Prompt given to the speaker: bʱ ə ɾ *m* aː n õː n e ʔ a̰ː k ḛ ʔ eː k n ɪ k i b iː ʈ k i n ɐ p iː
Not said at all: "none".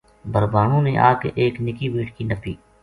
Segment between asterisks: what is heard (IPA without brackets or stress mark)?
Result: b